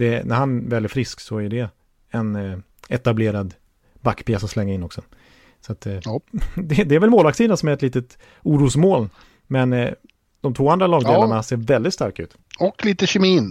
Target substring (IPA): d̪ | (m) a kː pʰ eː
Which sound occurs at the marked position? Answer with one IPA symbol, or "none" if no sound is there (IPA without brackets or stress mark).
b